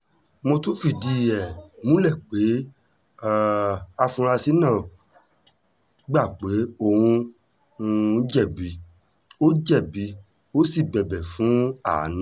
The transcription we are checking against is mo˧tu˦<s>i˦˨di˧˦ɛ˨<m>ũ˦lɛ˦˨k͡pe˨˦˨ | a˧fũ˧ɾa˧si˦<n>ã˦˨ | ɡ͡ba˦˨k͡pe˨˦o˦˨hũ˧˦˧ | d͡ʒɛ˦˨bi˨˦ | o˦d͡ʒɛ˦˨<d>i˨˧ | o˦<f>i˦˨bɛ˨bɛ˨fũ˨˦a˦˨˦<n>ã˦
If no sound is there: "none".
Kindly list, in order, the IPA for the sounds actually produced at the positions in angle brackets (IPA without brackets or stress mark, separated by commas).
f, m, n, b, s, n